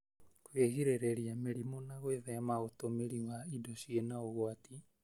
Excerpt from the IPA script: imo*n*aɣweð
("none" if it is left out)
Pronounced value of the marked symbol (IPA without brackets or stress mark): n